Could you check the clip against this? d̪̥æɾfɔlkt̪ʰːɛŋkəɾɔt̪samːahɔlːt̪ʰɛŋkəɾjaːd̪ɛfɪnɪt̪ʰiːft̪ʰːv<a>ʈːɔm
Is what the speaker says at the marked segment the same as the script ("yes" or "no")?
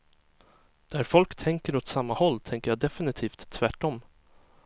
no